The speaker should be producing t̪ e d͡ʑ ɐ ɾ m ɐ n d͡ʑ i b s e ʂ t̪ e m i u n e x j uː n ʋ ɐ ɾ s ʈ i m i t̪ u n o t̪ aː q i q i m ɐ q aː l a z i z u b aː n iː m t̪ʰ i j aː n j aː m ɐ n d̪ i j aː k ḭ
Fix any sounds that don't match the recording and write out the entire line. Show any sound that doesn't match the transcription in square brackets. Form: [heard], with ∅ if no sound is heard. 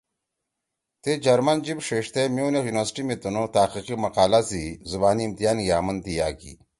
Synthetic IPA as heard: t̪ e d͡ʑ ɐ ɾ m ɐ n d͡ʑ i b [ʂ] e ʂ t̪ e m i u n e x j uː n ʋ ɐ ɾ s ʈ i m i t̪ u n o t̪ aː q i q i m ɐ q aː l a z i z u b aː n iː m [t̪] i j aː n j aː m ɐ n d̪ i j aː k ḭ